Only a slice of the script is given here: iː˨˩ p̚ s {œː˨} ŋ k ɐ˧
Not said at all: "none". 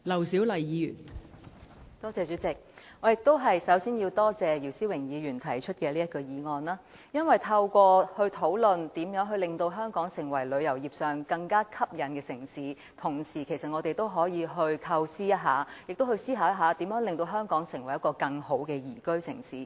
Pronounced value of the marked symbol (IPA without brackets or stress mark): œː˨